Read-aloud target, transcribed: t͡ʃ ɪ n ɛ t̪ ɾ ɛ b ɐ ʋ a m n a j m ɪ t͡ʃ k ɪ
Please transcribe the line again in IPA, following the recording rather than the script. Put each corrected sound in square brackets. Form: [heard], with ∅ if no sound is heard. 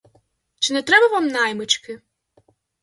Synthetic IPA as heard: t͡ʃ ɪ n ɛ t̪ ɾ ɛ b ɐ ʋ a m n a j m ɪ t͡ʃ k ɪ